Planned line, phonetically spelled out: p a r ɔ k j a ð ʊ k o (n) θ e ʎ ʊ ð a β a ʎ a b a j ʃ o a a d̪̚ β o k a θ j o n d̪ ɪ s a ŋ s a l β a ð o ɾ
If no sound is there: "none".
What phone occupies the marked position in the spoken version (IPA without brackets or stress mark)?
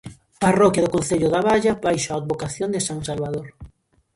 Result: n